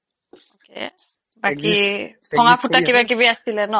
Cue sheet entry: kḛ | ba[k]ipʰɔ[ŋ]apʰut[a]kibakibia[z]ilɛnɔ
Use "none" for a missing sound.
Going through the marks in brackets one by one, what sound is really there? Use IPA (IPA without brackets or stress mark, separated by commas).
k, ŋ, a, s